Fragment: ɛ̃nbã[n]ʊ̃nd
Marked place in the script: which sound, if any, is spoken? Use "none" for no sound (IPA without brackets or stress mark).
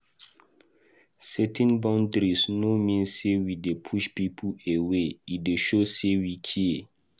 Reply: none